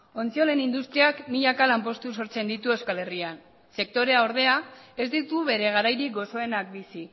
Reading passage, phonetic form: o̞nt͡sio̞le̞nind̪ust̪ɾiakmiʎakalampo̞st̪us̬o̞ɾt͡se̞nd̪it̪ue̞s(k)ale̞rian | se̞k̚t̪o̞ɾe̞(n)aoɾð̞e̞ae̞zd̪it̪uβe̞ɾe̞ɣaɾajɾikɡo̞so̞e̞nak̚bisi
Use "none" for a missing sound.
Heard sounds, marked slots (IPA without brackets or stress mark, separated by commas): k, none